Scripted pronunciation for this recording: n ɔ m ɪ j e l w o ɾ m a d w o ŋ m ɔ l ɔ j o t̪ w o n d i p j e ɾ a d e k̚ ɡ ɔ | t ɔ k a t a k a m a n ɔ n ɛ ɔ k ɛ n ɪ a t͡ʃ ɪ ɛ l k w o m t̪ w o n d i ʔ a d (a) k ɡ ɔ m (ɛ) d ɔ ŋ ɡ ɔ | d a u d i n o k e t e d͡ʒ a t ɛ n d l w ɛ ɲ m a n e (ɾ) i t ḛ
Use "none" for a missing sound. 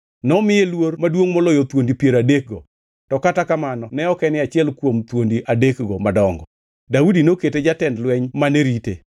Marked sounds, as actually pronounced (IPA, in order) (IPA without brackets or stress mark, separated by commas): e, a, ɾ